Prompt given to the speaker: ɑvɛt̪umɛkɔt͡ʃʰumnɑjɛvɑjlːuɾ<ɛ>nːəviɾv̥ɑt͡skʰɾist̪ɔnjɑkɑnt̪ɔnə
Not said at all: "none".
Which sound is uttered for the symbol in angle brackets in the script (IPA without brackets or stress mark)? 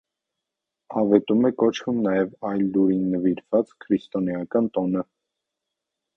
i